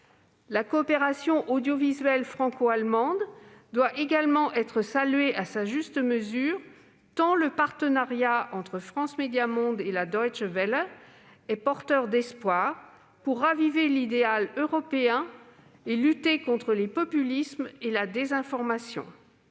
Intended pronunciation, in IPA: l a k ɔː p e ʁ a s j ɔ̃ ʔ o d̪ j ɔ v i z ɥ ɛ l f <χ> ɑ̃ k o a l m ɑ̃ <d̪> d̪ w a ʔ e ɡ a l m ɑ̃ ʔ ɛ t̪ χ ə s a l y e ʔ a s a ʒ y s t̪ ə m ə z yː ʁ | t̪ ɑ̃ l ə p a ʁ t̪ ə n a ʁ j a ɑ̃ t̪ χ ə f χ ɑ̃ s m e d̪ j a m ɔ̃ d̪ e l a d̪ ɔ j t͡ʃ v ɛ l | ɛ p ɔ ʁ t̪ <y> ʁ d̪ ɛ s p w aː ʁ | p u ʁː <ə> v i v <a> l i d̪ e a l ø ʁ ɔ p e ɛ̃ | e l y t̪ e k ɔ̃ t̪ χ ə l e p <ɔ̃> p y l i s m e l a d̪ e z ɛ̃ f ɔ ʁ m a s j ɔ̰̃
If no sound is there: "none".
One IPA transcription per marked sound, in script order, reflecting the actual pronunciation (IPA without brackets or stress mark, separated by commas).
χ, d̪, œ, a, e, ɔ